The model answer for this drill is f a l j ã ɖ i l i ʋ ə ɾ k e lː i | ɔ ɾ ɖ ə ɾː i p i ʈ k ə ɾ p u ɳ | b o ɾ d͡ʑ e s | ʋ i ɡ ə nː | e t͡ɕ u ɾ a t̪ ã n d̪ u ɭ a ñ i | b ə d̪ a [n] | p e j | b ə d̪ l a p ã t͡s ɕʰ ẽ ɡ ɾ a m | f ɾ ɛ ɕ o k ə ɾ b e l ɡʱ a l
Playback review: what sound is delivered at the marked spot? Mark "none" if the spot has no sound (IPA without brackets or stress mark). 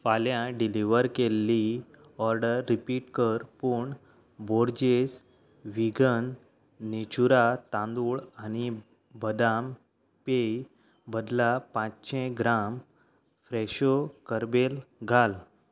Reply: m